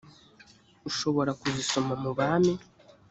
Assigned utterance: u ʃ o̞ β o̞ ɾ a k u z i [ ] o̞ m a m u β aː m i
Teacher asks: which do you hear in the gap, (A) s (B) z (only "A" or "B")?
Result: A